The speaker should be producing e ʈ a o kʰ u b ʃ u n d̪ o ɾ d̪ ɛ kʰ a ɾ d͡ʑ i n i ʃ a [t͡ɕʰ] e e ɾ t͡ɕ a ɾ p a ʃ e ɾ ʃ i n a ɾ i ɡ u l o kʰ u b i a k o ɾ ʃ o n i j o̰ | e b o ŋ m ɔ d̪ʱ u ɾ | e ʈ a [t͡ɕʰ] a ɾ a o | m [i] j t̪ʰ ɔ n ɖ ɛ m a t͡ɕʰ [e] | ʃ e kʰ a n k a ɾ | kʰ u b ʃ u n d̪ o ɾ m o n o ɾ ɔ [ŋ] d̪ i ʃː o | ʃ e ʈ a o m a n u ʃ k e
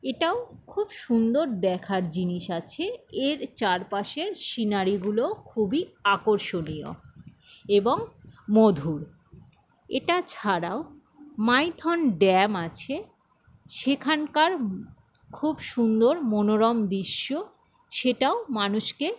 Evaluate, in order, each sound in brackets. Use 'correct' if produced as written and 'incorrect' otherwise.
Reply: correct, correct, incorrect, correct, incorrect

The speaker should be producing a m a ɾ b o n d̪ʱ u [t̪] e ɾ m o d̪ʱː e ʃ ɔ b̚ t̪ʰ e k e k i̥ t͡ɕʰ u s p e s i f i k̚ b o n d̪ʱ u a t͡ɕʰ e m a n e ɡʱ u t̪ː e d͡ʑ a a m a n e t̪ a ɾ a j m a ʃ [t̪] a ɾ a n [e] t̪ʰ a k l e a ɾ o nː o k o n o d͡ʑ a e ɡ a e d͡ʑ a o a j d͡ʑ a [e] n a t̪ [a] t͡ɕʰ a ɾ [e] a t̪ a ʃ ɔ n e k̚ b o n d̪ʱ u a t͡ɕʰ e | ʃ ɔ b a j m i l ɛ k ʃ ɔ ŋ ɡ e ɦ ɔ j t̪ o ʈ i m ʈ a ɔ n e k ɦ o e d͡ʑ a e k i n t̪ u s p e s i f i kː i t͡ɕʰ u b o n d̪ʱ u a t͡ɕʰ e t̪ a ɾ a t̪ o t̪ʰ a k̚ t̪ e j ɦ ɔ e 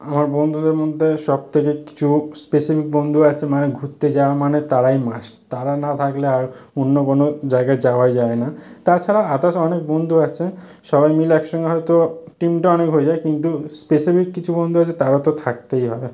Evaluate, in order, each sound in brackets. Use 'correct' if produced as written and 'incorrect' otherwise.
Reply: incorrect, correct, incorrect, correct, correct, incorrect

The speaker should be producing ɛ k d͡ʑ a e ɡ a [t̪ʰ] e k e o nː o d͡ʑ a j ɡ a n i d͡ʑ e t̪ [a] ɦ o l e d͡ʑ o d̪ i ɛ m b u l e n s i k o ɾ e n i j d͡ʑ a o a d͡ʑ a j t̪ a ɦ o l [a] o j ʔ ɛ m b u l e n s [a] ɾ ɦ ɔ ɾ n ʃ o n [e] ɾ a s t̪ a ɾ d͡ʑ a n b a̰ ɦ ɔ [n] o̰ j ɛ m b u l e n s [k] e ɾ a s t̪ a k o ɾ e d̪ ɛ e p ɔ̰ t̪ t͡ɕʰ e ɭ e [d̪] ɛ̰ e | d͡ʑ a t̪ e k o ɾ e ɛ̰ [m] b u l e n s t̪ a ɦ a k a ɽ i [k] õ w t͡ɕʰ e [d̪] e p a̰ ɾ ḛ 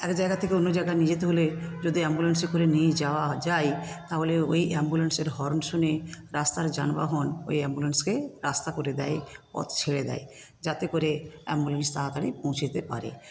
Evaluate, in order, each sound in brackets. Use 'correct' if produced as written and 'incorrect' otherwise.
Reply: correct, incorrect, incorrect, incorrect, correct, correct, correct, correct, correct, incorrect, incorrect

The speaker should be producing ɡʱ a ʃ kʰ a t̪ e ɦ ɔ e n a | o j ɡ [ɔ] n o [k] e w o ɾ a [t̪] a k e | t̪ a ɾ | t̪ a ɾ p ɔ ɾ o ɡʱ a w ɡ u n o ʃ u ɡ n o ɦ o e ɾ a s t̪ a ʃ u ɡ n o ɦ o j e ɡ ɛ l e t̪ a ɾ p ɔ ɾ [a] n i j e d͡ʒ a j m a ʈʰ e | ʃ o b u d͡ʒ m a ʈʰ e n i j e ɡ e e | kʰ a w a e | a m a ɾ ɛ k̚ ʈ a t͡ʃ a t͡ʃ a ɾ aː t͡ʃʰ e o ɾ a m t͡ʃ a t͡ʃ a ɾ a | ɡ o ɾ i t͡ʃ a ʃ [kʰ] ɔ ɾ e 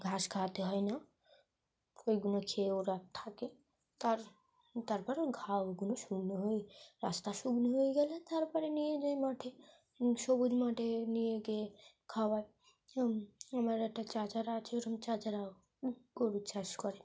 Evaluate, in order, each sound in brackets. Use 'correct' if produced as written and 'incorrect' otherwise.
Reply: incorrect, incorrect, incorrect, incorrect, incorrect

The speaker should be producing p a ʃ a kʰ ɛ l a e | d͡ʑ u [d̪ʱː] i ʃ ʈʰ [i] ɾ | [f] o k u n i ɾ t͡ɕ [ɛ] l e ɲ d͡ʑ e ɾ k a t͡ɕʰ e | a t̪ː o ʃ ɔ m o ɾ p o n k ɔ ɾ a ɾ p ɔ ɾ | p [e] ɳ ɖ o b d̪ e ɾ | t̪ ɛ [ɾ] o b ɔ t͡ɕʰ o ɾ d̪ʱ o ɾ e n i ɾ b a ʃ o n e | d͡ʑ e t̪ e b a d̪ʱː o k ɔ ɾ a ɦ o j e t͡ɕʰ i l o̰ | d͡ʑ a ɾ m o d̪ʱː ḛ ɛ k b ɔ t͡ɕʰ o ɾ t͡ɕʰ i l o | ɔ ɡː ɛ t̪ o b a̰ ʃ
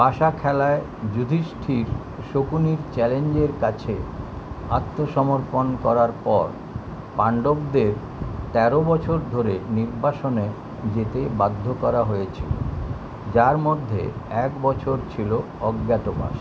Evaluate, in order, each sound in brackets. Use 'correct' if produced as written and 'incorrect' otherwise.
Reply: incorrect, correct, incorrect, correct, incorrect, correct

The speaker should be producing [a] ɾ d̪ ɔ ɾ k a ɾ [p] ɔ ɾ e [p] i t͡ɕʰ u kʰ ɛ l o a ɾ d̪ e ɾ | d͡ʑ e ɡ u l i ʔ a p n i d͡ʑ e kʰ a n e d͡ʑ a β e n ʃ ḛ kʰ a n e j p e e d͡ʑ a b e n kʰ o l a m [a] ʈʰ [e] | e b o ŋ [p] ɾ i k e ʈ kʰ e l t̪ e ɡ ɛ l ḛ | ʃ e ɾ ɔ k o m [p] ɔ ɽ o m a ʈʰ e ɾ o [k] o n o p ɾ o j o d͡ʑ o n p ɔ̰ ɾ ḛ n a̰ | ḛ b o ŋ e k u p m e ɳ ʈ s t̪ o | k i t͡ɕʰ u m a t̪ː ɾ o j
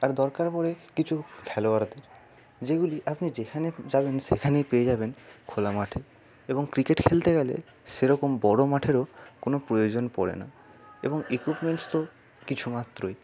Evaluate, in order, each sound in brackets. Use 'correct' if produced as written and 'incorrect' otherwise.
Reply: correct, correct, incorrect, correct, correct, incorrect, incorrect, correct

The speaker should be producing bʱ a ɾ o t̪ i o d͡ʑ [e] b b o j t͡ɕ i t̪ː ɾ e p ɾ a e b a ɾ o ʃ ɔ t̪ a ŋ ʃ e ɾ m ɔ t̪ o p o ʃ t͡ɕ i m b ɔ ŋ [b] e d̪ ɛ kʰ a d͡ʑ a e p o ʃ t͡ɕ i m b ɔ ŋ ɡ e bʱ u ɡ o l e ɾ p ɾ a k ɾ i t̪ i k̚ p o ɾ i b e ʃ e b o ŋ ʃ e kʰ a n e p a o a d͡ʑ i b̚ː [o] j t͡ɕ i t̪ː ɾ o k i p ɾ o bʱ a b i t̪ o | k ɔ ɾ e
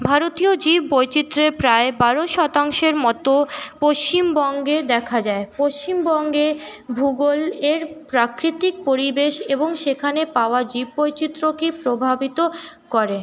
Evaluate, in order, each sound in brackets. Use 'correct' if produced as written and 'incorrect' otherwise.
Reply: incorrect, incorrect, correct

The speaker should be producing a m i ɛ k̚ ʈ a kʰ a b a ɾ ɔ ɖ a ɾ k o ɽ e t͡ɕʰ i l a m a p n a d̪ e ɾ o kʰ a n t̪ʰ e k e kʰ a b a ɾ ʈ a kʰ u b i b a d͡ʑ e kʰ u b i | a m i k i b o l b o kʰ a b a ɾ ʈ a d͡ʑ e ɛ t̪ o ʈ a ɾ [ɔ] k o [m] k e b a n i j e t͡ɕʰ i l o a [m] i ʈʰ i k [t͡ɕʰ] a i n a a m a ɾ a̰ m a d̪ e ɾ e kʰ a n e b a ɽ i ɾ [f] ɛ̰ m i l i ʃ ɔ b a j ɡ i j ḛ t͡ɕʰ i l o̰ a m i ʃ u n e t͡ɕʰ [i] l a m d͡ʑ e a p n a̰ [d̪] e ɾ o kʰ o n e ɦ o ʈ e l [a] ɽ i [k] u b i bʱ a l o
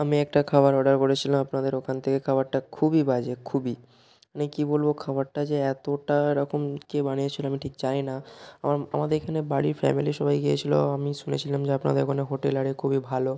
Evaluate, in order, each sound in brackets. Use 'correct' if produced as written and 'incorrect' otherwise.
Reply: correct, correct, correct, incorrect, correct, correct, correct, correct, incorrect

